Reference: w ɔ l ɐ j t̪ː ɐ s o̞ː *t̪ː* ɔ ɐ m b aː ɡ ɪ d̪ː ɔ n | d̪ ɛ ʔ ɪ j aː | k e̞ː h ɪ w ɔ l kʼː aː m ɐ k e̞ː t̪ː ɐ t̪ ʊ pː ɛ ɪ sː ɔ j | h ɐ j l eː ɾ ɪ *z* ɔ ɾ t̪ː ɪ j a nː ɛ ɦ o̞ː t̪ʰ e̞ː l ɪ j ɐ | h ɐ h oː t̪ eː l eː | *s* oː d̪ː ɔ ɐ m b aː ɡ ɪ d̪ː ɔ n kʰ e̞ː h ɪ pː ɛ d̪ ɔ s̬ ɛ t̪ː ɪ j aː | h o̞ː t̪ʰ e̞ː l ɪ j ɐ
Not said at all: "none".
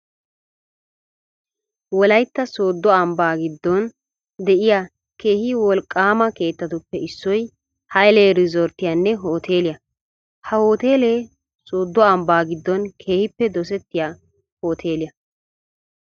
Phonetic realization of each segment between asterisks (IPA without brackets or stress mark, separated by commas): d̪ː, z, s